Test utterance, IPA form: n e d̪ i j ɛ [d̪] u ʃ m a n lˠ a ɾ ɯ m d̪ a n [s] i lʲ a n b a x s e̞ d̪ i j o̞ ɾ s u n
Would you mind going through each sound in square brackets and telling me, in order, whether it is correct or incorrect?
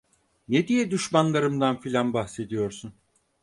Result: correct, incorrect: f

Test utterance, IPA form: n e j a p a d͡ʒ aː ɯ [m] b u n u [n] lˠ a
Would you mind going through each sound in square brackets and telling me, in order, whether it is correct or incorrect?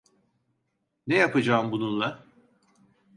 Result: correct, correct

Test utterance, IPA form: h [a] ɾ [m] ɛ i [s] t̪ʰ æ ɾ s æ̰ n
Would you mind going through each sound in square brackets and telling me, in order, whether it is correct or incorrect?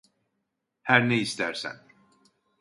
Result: incorrect: æ, incorrect: n, correct

